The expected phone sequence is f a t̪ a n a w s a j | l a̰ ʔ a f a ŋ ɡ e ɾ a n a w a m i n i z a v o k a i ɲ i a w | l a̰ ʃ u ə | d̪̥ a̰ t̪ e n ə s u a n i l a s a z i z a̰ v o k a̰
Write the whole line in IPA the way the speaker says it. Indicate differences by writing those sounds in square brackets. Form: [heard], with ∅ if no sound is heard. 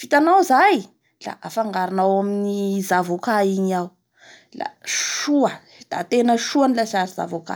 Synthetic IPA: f [i] t̪ a n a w [z] a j | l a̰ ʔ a f a ŋ ɡ [a] ɾ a n a w a m i n i z a v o k a i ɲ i a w | l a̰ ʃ u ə | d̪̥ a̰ t̪ e n ə [ʃ] u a n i l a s a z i z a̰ v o k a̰